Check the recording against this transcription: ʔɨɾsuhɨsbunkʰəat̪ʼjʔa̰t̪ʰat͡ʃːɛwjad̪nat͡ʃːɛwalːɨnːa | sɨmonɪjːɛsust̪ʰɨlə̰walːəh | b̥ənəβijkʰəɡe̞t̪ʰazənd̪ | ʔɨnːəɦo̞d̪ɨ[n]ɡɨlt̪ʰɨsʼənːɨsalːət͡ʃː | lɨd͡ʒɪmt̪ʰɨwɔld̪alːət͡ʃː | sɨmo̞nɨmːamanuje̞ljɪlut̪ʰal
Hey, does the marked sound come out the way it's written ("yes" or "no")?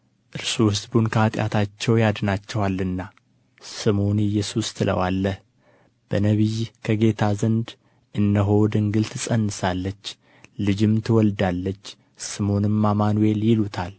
no